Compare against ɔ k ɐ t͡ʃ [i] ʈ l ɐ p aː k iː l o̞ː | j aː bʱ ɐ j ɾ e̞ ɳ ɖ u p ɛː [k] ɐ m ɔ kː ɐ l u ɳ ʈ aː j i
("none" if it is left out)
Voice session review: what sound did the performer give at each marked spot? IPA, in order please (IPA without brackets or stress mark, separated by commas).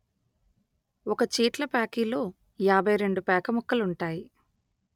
iː, k